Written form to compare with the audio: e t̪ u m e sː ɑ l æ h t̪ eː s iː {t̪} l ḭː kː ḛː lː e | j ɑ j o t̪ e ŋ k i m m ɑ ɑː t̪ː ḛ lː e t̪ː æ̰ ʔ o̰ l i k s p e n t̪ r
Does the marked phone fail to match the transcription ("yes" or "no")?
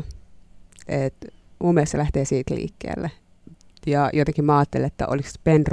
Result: no